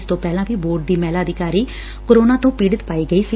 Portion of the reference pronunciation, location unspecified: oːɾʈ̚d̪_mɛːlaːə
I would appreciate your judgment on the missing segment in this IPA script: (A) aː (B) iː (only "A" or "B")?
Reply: B